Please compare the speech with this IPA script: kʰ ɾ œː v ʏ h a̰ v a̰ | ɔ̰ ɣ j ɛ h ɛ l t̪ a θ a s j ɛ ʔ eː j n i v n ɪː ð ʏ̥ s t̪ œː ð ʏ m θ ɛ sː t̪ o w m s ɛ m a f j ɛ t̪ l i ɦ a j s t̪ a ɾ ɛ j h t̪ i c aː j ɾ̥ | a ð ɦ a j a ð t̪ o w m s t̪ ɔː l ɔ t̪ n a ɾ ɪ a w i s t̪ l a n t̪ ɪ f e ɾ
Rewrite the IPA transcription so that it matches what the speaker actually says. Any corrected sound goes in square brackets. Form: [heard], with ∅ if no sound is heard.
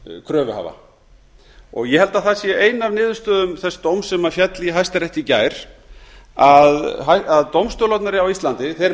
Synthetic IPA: kʰ ɾ œː v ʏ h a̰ v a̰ | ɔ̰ ɣ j ɛ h ɛ l t̪ a θ a s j ɛ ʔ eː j n [a] v n ɪː ð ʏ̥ s t̪ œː ð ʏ m θ ɛ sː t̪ o w m s ɛ m a f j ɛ t̪ l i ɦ a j s t̪ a ɾ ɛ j h t̪ i c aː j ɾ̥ | a ð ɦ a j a ð t̪ o w m s t̪ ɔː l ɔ t̪ n a ɾ ɪ a w i s t̪ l a n t̪ ɪ [θ] e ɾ